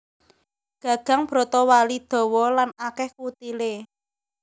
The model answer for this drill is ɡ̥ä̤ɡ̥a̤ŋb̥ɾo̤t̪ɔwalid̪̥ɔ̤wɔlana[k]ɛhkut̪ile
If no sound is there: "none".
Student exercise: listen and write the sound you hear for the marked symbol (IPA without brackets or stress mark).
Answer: k